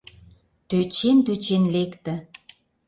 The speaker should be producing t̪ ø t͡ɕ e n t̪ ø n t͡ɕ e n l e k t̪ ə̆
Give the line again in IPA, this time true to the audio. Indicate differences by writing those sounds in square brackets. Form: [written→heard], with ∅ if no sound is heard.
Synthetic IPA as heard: t̪ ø t͡ɕ e n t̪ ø [n→∅] t͡ɕ e n l e k t̪ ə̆